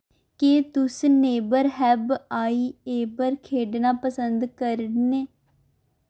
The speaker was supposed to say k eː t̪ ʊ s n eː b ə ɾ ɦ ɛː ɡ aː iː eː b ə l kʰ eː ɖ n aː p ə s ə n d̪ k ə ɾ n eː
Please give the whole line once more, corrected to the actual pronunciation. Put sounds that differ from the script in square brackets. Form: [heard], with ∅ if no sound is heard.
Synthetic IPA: k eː t̪ ʊ s n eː b ə ɾ ɦ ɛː [b] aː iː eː b ə [ɾ] kʰ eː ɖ n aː p ə s ə n d̪ k ə ɾ n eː